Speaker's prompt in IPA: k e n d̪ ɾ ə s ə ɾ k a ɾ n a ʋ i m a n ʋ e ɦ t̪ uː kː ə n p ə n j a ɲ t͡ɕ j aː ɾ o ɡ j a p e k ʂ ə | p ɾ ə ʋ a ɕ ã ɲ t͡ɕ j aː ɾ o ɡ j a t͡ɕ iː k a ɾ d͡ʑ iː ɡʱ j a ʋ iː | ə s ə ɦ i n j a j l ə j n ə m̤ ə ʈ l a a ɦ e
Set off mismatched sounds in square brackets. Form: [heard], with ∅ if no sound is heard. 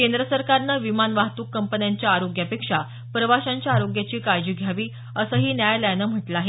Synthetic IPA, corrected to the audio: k e n d̪ ɾ ə s ə ɾ k a ɾ n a ʋ i m a n ʋ [a] ɦ t̪ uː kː ə [m] p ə n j a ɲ t͡ɕ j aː ɾ o ɡ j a p e k ʂ [a] | p ɾ ə ʋ a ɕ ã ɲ t͡ɕ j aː ɾ o ɡ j a t͡ɕ iː k a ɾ d͡ʑ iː ɡʱ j a ʋ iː | ə s ə ɦ [iː] n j a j l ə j n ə m̤ ə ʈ l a a ɦ e